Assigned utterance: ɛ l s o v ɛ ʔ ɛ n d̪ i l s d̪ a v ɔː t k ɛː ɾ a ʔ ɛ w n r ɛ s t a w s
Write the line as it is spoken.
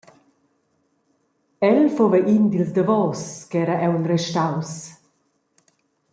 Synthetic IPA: ɛ l f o v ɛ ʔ i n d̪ i l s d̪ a v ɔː s k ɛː ɾ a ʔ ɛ w n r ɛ ʃ t a w s